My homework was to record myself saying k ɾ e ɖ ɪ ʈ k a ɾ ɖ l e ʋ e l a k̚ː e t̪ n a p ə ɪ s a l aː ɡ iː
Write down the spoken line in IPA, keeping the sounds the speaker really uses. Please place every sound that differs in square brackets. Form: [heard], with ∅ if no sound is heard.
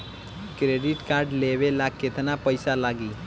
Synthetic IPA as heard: k ɾ e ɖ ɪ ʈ k a ɾ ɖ l e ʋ e l a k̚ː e t̪ n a p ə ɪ s a l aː ɡ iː